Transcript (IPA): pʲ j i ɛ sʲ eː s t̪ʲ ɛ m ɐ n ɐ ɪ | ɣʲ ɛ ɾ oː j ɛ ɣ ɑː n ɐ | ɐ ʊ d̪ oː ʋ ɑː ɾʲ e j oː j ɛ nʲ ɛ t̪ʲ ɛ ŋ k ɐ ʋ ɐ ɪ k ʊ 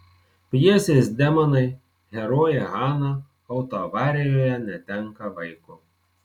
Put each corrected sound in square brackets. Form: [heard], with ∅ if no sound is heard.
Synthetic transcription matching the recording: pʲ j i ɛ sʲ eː s [d̪ʲ] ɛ m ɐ n ɐ ɪ | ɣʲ ɛ ɾ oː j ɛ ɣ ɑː n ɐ | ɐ ʊ [t̪] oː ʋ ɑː ɾʲ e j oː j ɛ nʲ ɛ t̪ʲ ɛ ŋ k ɐ ʋ ɐ ɪ k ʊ